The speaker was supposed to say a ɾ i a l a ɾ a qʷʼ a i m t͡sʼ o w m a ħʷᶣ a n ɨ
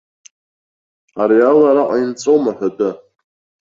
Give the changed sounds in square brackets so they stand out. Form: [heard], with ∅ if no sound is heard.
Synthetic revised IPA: a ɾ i a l a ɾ a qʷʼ a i [n] t͡sʼ o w m a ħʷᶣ a [d] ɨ